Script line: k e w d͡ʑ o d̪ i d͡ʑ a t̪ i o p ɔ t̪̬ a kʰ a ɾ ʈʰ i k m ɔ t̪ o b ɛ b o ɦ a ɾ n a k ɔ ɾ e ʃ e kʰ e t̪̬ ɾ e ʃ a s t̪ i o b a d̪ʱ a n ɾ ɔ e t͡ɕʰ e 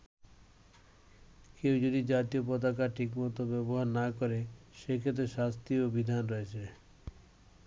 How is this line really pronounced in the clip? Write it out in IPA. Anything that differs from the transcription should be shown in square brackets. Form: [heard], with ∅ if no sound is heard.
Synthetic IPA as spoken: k e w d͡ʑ o d̪ i d͡ʑ a t̪ i o p ɔ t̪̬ a [k] a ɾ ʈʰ i k m ɔ t̪ o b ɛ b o ɦ a ɾ n a k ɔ ɾ e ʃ e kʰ e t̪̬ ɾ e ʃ a s t̪ i o b [i] d̪ʱ a n ɾ ɔ e t͡ɕʰ e